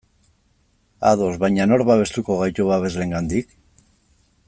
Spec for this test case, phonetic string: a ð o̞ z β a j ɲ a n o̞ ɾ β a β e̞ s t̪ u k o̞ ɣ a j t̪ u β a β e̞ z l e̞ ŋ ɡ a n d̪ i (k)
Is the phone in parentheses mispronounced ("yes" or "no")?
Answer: no